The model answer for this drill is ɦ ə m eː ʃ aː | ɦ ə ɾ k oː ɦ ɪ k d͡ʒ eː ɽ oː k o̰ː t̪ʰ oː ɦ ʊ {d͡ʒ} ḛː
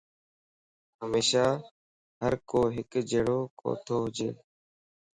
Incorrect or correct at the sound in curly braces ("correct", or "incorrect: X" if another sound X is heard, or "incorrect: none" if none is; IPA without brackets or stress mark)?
correct